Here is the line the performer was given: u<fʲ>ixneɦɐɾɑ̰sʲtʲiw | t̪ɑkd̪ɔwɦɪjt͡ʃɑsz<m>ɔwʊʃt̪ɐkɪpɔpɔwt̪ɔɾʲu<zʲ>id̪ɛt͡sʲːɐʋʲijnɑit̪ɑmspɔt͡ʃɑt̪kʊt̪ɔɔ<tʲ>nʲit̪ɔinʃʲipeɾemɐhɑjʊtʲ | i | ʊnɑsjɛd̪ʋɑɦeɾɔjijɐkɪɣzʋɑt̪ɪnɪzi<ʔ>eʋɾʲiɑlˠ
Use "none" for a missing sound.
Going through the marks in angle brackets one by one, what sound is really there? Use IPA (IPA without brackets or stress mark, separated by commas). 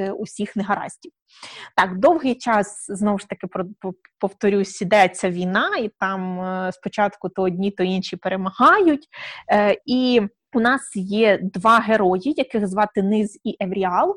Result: sʲ, n, sʲ, dʲ, ʔ